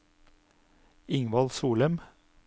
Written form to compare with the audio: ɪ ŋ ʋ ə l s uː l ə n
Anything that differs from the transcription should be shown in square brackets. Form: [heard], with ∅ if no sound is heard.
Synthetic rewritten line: ɪ ŋ ʋ [ɑ] l s uː l ə [m]

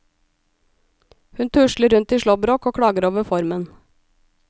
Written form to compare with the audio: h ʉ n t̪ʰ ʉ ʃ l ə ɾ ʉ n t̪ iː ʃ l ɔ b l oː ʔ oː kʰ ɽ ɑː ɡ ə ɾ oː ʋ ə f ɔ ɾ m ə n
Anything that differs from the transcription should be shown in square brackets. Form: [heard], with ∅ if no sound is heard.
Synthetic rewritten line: h ʉ n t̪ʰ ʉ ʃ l ə ɾ ʉ n t̪ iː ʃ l ɔ b [ɾ] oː [k] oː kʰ ɽ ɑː ɡ ə ɾ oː ʋ ə f ɔ ɾ m ə n

